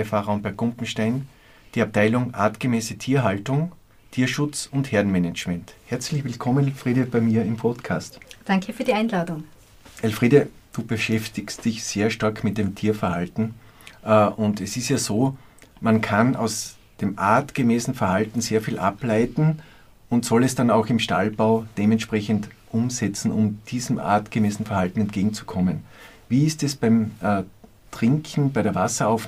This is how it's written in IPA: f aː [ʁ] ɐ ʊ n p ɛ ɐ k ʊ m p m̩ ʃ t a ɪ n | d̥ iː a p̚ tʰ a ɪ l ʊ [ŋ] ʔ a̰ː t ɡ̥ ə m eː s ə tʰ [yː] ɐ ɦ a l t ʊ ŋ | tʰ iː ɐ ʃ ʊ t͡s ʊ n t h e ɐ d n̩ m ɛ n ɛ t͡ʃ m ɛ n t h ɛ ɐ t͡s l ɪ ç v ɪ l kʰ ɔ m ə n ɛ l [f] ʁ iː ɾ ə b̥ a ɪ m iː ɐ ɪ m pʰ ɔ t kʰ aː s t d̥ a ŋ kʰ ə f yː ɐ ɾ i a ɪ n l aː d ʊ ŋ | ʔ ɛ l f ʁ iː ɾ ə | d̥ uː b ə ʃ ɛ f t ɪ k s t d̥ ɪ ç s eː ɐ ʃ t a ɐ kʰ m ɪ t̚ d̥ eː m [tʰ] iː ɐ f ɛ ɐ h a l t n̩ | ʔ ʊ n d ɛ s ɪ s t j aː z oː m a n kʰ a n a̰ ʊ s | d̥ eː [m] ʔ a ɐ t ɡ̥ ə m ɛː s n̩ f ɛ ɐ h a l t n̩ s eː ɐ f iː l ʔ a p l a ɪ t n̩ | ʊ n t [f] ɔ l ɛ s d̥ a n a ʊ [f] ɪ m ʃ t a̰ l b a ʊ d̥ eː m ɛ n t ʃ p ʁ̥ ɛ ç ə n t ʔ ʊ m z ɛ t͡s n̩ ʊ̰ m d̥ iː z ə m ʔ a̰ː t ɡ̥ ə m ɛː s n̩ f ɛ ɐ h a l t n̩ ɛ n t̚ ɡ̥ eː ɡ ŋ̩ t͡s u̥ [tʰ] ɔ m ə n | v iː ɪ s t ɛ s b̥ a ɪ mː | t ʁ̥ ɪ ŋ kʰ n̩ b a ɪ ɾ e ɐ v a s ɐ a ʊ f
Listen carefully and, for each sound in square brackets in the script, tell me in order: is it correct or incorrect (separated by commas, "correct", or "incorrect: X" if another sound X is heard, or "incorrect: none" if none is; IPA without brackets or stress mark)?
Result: correct, correct, incorrect: iː, correct, correct, correct, incorrect: s, incorrect: x, incorrect: kʰ